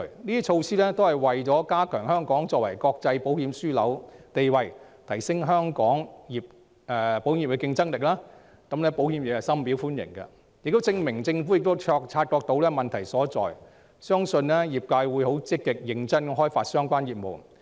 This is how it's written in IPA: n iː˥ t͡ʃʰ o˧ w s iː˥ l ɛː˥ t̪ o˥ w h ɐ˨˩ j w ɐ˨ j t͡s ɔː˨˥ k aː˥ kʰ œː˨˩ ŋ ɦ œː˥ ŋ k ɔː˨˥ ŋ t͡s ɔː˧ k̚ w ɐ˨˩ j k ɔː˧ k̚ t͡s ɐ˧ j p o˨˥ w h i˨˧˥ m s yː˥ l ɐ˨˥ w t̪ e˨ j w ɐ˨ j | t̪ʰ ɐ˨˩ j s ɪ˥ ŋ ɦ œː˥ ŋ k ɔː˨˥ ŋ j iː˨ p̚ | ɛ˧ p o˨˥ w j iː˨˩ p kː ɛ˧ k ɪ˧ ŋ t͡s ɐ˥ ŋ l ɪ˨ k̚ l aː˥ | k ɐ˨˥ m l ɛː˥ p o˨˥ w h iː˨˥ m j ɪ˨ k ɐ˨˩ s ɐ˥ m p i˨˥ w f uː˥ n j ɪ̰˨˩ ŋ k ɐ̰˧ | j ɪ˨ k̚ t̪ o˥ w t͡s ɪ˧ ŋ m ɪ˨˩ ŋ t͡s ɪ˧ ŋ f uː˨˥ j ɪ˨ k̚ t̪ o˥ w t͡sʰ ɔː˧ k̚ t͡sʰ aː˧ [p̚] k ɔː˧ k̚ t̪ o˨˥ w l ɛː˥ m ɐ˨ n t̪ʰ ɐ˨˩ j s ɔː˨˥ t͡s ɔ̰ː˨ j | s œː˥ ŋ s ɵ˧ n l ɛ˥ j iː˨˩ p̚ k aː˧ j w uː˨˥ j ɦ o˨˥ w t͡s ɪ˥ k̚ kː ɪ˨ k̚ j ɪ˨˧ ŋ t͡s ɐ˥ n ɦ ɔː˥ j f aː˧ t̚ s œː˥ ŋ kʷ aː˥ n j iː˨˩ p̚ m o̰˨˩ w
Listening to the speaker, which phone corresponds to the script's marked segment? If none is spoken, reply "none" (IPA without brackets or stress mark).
t̚